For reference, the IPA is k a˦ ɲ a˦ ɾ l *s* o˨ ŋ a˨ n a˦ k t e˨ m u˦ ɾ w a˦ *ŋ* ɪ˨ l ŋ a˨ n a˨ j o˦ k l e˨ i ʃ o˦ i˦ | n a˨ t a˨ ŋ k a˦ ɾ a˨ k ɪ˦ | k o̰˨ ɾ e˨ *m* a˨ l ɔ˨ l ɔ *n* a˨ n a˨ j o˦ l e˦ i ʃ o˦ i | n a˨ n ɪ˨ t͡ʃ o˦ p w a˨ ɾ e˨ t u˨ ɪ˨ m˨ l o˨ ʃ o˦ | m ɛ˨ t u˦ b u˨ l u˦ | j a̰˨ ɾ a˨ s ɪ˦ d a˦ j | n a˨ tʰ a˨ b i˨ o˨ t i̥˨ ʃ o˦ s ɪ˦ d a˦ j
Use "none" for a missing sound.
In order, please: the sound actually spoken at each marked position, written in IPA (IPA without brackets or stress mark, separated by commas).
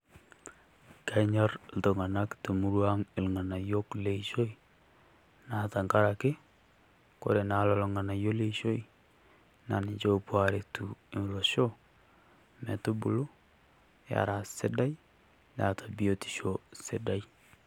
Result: t, ŋ, n, ŋ